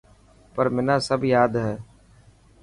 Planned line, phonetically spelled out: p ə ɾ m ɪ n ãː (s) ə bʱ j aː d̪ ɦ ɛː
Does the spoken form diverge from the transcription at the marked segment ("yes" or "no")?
no